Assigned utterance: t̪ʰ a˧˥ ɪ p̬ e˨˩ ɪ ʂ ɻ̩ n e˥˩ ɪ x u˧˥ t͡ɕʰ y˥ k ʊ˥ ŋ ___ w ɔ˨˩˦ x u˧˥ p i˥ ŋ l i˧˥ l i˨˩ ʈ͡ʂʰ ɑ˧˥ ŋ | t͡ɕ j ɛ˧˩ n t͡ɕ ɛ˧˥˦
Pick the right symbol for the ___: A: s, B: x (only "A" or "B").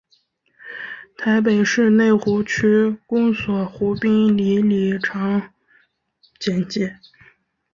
A